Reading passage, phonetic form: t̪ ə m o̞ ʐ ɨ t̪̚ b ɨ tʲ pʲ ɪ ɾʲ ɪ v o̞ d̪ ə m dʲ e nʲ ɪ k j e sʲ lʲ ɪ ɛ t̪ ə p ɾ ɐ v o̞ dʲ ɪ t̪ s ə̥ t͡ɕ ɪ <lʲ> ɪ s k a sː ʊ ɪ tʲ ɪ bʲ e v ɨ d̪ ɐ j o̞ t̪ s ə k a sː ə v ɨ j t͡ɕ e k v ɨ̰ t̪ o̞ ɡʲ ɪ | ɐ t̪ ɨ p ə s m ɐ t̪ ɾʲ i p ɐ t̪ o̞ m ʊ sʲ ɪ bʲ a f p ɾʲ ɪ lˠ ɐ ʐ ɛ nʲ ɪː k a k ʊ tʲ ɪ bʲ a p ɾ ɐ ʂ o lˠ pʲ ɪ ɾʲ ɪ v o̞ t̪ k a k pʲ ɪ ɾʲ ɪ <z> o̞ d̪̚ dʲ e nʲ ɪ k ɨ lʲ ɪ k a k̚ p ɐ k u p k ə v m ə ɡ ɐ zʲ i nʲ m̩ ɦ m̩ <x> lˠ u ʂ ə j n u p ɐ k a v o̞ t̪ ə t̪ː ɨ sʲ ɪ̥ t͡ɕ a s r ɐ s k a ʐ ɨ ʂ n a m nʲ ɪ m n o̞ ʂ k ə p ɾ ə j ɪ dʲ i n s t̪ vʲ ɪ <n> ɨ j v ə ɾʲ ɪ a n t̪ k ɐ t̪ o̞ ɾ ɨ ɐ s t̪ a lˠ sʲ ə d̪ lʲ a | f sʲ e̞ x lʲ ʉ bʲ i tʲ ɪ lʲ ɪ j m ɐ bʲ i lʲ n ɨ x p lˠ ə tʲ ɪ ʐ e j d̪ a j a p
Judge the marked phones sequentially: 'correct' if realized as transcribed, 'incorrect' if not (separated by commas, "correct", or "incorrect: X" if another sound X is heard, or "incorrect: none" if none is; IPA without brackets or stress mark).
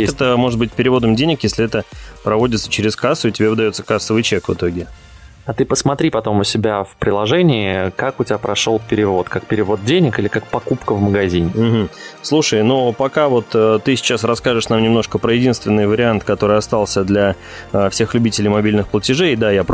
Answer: incorrect: ɾʲ, incorrect: v, incorrect: s, incorrect: nː